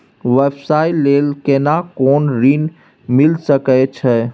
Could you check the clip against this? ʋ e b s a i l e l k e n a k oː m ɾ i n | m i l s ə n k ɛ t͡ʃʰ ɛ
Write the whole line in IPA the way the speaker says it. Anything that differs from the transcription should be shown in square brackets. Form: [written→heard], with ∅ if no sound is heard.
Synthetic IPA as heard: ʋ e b s a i l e l k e n a k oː [m→n] ɾ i n | m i l s ə [n→∅] k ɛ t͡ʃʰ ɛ